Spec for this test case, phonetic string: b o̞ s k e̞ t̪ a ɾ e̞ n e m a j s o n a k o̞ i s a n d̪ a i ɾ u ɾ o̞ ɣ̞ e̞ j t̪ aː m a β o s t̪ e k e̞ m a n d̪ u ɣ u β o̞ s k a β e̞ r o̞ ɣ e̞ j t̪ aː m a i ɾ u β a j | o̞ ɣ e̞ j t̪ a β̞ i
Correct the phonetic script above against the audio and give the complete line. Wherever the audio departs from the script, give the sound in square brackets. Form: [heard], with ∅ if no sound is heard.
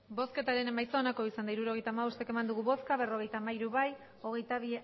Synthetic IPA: b o̞ s k e̞ t̪ a ɾ e̞ n e m a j s o n a k o̞ i s a n d̪ a i ɾ u ɾ o̞ ɣ̞ e̞ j t̪ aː m a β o s t̪ e k e̞ m a n d̪ u ɣ u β o̞ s k a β e̞ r o̞ ɣ e̞ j t̪ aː m a i ɾ u β a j | o̞ ɣ e̞ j t̪ a β̞ i

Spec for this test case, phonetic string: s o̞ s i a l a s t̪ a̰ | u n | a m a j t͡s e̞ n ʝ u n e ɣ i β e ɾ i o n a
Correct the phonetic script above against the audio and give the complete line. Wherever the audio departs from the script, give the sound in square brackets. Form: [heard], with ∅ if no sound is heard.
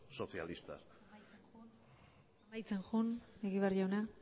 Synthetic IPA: s o̞ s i a l [i] s t̪ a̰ | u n | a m a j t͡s e̞ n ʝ u n e ɣ i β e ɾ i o n a

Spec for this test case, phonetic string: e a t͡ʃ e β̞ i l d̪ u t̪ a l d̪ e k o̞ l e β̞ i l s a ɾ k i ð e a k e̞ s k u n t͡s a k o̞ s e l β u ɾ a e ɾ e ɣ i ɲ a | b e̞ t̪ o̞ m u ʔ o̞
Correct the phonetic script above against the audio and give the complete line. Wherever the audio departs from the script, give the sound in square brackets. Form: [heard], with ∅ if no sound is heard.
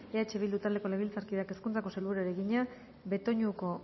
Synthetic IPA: e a t͡ʃ e β̞ i l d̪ u t̪ a l d̪ e k o̞ l e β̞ i l [t͡s] a ɾ k i ð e a k e̞ s k u n t͡s a k o̞ s e l β u ɾ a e ɾ e ɣ i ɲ a | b e̞ t̪ o̞ [ɲ] u [k] o̞

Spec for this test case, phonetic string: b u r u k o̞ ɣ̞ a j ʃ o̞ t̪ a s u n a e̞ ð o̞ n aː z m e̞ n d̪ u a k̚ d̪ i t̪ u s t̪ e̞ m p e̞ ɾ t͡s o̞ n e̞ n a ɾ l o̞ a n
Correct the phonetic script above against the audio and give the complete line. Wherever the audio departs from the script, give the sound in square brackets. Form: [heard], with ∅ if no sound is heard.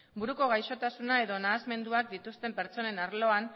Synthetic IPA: b u [ɾ] u k o̞ ɣ̞ a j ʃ o̞ t̪ a s u n a e̞ ð o̞ n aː z m e̞ n d̪ u a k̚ d̪ i t̪ u s t̪ e̞ m p e̞ ɾ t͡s o̞ n e̞ n a ɾ l o̞ a n

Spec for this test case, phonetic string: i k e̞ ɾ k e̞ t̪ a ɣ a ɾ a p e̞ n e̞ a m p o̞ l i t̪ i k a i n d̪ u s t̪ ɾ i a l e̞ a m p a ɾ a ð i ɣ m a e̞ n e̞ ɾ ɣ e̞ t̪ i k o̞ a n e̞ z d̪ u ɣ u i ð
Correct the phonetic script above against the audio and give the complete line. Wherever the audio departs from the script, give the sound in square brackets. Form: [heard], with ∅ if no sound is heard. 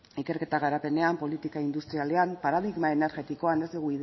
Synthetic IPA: i k e̞ ɾ k e̞ t̪ a ɣ a ɾ a p e̞ n e̞ a m p o̞ l i t̪ i k a i n d̪ u s t̪ ɾ i a l e̞ a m p a ɾ a ð i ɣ m a e̞ n e̞ ɾ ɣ e̞ t̪ i k o̞ a n e̞ z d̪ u ɣ u i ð

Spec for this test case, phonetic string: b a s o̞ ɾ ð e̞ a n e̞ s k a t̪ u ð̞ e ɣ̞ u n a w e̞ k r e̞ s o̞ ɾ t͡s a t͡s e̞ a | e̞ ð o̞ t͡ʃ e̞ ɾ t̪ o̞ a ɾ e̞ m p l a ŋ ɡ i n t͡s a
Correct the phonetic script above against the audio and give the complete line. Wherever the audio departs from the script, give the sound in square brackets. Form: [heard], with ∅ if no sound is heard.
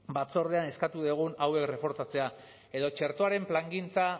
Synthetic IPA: b a [t͡s] o̞ ɾ ð e̞ a n e̞ s k a t̪ u ð̞ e ɣ̞ u n a w e̞ k r e̞ [f] o̞ ɾ t͡s a t͡s e̞ a | e̞ ð o̞ t͡ʃ e̞ ɾ t̪ o̞ a ɾ e̞ m p l a ŋ ɡ i n t͡s a

